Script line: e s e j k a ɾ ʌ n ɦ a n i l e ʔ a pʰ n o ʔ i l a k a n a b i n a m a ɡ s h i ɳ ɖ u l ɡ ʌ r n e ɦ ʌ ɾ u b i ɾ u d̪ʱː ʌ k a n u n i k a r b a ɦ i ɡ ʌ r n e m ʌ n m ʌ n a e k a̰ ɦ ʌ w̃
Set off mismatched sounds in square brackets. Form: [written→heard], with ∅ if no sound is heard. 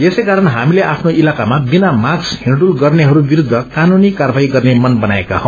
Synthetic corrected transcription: e s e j k a ɾ ʌ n ɦ a [n→m] i l e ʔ a pʰ n o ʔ i l a k a [n→m] a b i n a m a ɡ s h i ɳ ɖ u l ɡ ʌ r n e ɦ ʌ ɾ u b i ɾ u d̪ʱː ʌ k a n u n i k a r b a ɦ i ɡ ʌ r n e m ʌ n [m→b] ʌ n a e k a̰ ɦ ʌ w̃